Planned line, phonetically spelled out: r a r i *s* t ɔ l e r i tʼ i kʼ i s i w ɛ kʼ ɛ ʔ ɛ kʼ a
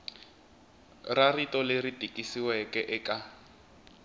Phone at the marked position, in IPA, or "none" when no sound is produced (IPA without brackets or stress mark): none